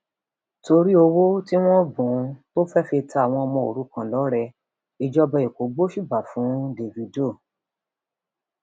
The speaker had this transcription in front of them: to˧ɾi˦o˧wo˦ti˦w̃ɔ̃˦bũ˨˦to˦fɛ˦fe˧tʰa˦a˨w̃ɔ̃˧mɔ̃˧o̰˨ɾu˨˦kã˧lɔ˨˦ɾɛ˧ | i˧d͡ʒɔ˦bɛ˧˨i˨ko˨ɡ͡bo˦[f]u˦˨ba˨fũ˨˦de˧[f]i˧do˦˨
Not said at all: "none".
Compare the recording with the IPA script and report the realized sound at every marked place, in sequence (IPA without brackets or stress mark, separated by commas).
ʃ, v